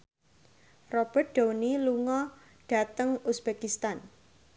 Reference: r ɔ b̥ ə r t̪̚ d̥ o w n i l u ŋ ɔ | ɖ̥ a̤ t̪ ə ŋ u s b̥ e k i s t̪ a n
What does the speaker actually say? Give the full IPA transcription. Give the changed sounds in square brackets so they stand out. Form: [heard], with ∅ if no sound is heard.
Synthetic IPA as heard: r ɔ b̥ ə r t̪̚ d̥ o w n i l u ŋ ɔ | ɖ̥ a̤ t̪ ə ŋ u s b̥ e k i s t̪ a n

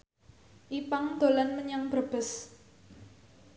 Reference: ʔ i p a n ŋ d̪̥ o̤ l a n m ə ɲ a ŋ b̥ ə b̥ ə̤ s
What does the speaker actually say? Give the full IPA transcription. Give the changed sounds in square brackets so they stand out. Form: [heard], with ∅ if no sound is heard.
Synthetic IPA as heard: ʔ i p a [∅] ŋ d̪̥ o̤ l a n m ə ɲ a ŋ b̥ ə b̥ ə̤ s

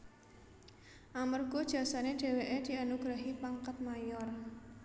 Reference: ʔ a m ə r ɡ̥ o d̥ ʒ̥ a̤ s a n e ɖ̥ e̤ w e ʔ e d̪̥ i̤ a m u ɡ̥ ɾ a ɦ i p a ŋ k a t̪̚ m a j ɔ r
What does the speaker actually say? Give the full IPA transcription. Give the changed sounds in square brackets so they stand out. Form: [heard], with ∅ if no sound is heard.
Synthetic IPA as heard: ʔ a m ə r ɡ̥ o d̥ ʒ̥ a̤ s a n e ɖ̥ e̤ w e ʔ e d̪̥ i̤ a [n] u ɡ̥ ɾ a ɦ i p a ŋ k a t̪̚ m a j ɔ r

